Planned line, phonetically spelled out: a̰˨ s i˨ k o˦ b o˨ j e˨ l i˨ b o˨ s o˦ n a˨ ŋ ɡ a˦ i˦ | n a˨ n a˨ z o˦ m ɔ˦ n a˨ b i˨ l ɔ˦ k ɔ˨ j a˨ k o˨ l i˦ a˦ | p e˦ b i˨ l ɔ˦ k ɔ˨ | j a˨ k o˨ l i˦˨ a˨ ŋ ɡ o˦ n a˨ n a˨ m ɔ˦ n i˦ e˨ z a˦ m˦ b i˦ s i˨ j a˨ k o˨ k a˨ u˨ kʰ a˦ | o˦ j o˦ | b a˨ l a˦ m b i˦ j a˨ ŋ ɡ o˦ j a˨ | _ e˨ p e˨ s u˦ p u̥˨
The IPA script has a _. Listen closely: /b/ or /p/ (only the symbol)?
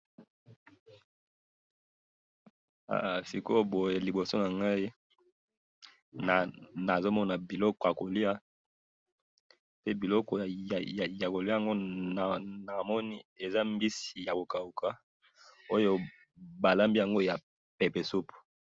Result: p